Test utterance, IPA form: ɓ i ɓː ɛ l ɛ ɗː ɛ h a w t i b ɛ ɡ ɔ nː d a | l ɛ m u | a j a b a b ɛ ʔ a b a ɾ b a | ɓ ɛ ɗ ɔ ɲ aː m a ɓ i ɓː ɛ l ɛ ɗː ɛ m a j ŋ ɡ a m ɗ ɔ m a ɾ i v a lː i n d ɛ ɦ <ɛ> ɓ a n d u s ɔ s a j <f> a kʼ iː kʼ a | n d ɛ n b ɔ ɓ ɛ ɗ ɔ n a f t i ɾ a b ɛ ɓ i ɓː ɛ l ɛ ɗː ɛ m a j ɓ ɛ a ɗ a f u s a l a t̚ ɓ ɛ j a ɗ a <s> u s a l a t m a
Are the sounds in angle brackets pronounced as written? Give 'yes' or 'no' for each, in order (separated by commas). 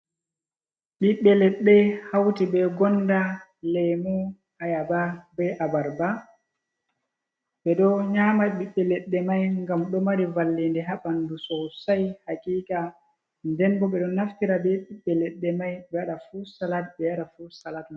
no, no, no